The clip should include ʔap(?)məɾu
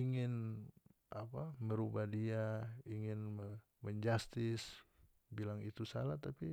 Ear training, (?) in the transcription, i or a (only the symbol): a